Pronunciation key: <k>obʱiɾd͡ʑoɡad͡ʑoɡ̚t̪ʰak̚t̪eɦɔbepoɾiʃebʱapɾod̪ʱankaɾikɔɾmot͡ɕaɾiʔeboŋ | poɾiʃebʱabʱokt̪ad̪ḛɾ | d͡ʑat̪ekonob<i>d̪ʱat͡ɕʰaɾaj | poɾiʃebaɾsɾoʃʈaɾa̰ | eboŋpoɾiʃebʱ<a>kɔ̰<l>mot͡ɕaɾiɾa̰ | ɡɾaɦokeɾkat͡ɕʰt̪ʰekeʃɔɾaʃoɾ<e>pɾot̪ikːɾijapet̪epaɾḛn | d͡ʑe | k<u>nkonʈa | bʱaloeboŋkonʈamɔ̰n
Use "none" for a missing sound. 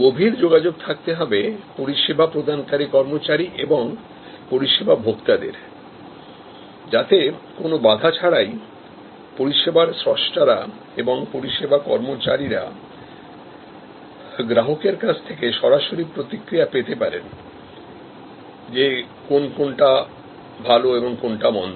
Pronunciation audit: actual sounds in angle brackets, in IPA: ɡ, a, a, ɾ, i, o

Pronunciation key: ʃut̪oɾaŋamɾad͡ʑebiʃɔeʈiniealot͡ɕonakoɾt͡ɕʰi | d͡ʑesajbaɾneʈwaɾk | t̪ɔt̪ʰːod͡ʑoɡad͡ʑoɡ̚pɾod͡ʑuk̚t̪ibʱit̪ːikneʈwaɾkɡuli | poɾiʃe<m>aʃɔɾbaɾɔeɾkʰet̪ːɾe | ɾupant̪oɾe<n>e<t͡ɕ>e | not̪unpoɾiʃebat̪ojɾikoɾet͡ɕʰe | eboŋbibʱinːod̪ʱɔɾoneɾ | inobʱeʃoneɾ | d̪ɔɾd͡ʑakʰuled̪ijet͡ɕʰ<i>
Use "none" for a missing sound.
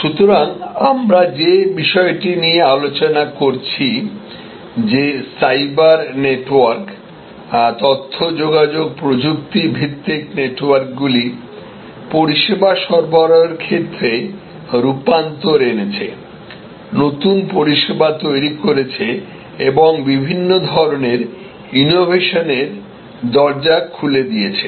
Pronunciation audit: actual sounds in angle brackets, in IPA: b, n, t͡ɕʰ, e

